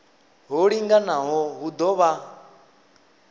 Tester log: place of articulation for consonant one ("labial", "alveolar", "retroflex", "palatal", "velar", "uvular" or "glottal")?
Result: glottal